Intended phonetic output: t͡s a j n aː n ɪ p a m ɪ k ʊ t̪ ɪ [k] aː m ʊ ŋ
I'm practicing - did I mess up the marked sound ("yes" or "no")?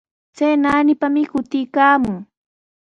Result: no